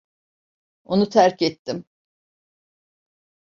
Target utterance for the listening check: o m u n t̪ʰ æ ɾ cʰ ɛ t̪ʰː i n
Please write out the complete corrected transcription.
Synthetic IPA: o n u t̪ʰ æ ɾ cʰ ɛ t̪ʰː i m